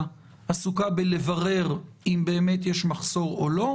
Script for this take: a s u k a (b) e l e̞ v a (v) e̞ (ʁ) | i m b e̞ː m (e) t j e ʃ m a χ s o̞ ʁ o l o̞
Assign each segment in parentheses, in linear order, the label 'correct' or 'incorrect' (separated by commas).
correct, incorrect, correct, correct